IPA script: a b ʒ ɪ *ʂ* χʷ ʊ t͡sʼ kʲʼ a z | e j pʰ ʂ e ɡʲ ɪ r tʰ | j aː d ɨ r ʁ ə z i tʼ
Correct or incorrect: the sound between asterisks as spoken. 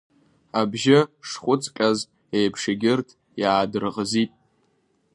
correct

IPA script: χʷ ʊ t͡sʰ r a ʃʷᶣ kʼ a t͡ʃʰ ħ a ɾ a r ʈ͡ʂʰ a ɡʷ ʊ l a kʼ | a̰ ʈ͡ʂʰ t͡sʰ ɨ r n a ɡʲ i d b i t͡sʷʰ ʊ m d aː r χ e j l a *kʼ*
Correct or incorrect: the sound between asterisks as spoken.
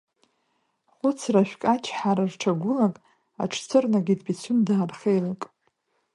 correct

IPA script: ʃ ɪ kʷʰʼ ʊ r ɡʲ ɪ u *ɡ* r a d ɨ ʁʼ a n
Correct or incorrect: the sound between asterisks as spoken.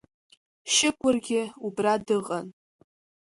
incorrect: b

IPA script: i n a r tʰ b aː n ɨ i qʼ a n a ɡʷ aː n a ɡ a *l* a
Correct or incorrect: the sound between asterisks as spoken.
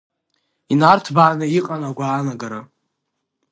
incorrect: ɾ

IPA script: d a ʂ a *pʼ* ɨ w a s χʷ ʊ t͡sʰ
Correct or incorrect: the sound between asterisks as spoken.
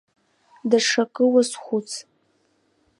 incorrect: kʼ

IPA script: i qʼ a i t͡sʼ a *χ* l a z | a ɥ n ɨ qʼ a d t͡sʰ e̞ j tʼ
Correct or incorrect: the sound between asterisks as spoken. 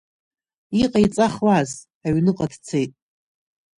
correct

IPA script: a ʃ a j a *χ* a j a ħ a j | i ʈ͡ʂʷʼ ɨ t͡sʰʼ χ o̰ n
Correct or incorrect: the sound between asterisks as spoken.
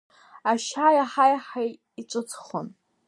incorrect: ħ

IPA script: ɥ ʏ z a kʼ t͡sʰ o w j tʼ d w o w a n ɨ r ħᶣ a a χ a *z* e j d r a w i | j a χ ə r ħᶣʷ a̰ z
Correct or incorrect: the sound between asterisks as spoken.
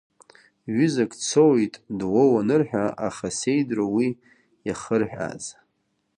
incorrect: s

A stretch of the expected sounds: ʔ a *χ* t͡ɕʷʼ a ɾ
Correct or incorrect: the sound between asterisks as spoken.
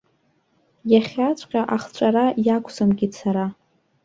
correct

